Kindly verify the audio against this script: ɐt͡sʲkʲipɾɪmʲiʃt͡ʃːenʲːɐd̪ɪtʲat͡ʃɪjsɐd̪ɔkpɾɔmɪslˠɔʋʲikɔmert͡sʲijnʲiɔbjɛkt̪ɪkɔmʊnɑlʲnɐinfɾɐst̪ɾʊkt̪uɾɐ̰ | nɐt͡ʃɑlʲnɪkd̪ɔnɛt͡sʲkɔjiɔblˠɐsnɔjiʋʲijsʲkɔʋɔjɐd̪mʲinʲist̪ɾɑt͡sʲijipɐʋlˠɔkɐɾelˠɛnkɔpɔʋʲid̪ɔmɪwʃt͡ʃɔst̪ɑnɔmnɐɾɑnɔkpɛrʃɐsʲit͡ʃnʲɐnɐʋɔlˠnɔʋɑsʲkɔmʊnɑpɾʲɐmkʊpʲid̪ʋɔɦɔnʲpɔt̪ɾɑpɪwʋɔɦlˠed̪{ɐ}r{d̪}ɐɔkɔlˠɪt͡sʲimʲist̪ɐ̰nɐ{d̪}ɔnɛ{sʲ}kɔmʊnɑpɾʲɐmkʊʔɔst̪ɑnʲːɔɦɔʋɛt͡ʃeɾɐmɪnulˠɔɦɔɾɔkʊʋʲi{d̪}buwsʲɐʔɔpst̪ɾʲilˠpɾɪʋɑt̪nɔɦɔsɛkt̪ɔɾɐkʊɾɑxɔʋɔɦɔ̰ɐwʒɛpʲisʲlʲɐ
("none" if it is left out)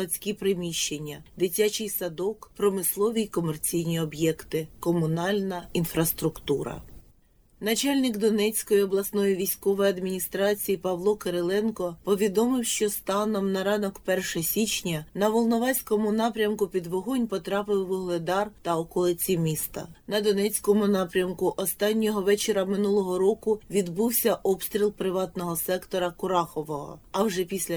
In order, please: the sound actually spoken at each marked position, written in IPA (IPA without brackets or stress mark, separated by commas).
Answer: ɑ, t̪, d̪, t͡sʲ, d̪